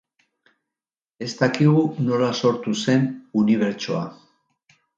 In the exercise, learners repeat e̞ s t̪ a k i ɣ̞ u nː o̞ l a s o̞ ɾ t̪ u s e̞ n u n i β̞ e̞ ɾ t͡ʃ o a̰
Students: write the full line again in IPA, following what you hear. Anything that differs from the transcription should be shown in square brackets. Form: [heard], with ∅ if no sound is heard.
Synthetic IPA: e̞ s t̪ a k i ɣ̞ u [n] o̞ l a s o̞ ɾ t̪ u s e̞ n u n i β̞ e̞ ɾ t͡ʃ o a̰